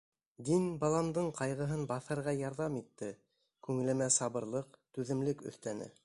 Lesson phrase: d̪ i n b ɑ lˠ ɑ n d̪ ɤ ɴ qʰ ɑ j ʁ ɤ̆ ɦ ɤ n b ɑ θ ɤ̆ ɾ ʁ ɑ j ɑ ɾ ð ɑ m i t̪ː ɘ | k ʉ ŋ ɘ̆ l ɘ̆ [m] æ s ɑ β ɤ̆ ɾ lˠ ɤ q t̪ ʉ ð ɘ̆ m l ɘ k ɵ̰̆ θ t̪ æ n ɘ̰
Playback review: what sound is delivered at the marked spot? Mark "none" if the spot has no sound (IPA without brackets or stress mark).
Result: m